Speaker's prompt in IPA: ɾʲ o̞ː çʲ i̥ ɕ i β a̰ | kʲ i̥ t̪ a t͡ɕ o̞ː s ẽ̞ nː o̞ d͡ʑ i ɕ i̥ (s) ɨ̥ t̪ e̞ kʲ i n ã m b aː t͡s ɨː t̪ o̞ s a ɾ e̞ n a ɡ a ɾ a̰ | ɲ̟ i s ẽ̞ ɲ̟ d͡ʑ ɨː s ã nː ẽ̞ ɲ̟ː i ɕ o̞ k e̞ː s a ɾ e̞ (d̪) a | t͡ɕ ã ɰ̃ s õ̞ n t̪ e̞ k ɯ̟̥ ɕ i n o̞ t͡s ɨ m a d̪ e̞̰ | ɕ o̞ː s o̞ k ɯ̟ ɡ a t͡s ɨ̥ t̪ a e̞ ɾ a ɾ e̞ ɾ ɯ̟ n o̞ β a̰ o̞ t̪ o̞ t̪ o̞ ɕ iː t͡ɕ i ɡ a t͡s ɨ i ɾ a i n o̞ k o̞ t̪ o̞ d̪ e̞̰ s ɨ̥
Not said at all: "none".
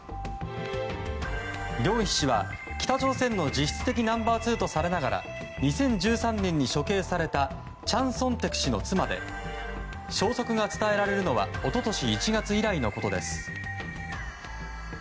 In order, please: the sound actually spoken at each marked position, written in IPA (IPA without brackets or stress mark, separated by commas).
t͡s, t̪